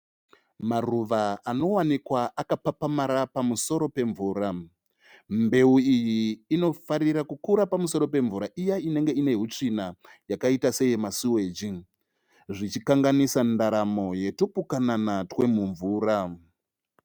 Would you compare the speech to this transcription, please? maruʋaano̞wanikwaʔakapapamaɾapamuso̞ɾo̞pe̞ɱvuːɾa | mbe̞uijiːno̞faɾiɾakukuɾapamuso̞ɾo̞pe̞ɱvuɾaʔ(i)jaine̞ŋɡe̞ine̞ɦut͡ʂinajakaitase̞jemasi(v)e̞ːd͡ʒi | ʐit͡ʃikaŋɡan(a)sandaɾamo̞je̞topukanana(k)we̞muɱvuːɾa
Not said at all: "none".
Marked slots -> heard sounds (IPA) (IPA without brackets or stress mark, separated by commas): i, w, i, t